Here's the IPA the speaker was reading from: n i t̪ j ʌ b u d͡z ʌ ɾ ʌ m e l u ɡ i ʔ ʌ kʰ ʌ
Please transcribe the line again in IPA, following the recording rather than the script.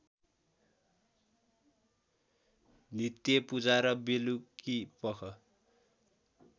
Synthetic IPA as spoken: n i t̪ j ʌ p u d͡z a ɾ ʌ b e l u k i p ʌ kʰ ʌ